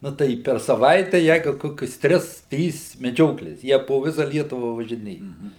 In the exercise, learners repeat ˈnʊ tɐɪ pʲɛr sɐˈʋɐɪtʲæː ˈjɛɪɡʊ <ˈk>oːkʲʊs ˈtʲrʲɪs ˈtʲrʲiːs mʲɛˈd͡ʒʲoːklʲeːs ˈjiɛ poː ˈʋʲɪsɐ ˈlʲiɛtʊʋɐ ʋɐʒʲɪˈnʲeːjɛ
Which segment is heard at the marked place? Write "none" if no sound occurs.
k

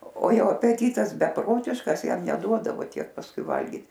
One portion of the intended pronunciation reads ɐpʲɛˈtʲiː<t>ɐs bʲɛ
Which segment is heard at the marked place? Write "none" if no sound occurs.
t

